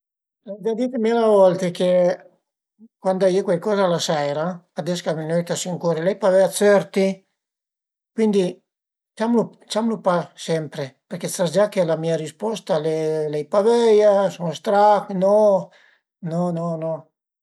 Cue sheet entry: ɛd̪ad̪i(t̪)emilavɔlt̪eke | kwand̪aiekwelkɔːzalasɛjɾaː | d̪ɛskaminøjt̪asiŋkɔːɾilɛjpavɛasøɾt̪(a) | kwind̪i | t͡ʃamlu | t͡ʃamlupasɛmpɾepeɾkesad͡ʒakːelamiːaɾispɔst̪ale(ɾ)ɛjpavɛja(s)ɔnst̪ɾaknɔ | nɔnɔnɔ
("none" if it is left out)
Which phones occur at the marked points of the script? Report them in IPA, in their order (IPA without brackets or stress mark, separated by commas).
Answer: t̪, i, l, s